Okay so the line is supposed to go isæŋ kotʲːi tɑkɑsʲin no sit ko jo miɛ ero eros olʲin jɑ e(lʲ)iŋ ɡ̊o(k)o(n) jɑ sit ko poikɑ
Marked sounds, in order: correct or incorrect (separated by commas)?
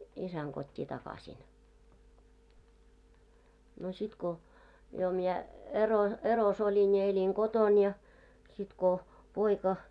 correct, incorrect, correct